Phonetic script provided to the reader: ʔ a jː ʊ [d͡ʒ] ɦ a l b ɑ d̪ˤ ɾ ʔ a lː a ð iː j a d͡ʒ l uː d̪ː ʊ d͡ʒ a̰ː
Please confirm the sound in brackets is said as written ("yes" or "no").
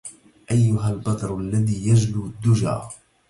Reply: no